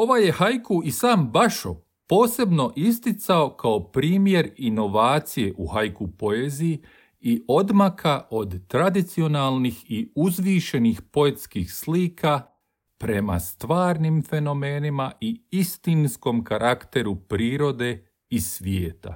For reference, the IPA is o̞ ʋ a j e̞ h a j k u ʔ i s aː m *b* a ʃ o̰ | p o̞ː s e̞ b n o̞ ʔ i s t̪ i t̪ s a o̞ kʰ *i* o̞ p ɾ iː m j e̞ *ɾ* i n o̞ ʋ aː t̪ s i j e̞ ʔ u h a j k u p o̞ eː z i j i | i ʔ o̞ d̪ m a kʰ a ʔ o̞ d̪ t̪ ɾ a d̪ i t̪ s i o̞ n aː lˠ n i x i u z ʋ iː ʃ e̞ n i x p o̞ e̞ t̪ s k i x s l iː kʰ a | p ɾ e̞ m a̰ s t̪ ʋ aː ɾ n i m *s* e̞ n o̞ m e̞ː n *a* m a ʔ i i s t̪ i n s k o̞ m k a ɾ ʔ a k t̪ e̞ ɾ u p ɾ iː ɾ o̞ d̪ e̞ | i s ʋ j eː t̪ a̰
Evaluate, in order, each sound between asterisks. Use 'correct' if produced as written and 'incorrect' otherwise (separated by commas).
correct, incorrect, correct, incorrect, incorrect